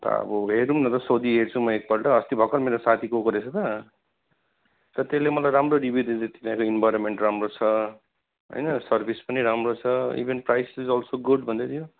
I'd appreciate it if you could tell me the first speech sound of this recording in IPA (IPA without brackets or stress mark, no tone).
t̪